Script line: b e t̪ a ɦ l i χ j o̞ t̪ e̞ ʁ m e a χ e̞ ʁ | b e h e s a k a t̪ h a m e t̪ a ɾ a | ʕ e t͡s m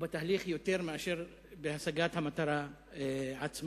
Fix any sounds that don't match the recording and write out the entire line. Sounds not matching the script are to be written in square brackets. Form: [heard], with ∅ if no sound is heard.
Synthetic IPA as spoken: b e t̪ a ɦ l i χ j o̞ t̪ e̞ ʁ m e a [ʃ] e̞ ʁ | b e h [a] s a [ɡ] a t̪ h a m [a] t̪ a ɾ a | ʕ [a] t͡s m